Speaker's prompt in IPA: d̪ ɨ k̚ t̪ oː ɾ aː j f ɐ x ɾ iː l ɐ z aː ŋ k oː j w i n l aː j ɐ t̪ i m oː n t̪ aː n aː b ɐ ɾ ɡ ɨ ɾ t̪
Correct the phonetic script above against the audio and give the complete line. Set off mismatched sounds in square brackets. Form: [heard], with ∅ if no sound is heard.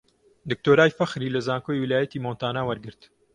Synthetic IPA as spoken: d̪ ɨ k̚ t̪ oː ɾ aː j f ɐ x ɾ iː l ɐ z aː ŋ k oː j w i [∅] l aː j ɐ t̪ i m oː n t̪ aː n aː [w] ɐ ɾ ɡ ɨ ɾ t̪